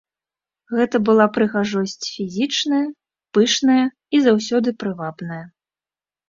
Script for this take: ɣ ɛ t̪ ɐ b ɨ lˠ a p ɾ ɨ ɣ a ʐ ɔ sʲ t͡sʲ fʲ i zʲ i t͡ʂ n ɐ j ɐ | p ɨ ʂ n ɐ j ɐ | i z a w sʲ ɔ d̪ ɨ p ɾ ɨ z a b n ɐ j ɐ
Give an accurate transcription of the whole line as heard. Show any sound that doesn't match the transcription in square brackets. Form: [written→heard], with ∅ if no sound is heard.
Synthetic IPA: ɣ ɛ t̪ ɐ b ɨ lˠ a p ɾ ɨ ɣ a ʐ ɔ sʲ t͡sʲ fʲ i zʲ i t͡ʂ n ɐ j ɐ | p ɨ ʂ n ɐ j ɐ | i z a w sʲ ɔ d̪ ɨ p ɾ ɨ [z→v] a b n ɐ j ɐ